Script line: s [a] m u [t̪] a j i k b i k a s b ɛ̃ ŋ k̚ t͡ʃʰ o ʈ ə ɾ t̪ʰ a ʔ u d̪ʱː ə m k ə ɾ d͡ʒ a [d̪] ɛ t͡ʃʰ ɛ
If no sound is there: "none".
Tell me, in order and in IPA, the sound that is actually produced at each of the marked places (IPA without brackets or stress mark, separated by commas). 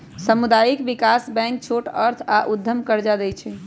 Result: ə, d̪, d̪